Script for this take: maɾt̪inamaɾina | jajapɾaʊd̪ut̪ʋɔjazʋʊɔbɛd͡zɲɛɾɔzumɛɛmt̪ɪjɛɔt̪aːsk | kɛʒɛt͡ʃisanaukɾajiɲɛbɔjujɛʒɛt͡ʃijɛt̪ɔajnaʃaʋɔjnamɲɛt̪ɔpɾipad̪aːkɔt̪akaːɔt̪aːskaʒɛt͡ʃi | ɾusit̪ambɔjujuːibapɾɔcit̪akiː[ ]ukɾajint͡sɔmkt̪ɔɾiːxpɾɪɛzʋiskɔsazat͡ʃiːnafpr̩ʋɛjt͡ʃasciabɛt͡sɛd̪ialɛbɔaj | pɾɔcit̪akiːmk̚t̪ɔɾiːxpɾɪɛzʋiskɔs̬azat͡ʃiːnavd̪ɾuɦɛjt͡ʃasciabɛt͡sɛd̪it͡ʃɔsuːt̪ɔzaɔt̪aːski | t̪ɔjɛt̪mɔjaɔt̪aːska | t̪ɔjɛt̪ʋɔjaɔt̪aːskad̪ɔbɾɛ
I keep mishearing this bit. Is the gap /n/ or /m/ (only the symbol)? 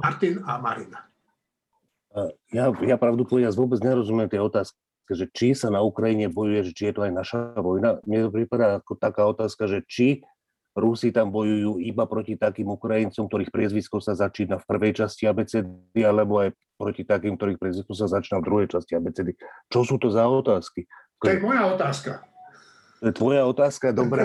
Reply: m